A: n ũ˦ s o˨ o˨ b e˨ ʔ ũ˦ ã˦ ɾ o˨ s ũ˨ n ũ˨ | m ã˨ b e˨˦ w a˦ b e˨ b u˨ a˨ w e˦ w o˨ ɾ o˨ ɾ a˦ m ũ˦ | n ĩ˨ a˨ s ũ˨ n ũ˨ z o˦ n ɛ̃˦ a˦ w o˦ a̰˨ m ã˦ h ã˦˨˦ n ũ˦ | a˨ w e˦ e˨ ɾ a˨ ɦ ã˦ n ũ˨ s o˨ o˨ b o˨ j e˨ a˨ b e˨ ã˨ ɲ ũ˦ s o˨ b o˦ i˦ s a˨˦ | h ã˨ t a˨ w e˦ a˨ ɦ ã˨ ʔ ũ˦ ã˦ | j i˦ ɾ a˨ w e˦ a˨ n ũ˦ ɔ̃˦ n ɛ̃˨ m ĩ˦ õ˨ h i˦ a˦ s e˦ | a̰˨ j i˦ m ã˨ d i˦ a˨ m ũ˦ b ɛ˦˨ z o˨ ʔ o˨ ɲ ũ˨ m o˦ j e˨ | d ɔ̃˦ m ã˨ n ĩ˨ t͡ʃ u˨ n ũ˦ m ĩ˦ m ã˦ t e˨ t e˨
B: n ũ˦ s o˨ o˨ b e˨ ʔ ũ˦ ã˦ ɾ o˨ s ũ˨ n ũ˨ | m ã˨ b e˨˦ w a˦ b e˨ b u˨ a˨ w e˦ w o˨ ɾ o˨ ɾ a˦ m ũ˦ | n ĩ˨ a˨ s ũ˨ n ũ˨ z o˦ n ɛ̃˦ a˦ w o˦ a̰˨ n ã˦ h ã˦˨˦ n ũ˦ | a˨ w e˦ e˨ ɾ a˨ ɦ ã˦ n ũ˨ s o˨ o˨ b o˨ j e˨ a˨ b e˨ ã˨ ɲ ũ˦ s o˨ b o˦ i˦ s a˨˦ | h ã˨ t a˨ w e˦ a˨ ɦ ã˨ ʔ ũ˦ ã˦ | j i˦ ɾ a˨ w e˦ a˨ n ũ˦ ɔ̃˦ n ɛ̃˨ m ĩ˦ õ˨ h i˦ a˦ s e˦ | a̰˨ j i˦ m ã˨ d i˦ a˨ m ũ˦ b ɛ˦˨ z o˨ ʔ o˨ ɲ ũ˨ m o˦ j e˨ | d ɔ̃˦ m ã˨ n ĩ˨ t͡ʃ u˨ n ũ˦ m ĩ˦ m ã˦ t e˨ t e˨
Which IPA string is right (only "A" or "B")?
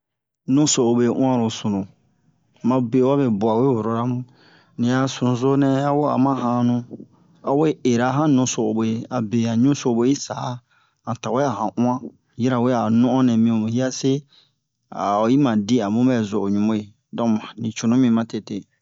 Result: A